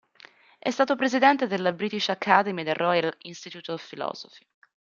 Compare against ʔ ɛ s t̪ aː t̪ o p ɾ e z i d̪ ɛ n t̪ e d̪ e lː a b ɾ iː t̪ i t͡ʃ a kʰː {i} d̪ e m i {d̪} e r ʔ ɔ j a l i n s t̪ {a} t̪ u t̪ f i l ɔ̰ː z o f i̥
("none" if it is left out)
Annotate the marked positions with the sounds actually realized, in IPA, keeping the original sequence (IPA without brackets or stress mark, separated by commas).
a, d̪, i